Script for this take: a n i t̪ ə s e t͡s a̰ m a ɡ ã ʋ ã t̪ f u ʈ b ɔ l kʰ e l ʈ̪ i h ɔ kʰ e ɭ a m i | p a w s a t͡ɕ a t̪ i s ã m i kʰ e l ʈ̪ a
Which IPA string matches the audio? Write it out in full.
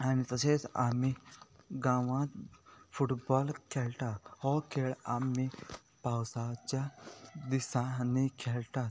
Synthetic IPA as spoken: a n i t̪ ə s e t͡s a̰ m i ɡ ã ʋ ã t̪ f u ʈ b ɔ l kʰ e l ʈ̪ a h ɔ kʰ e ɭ a m i | p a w s a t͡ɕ a d̪ i s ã n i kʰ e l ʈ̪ a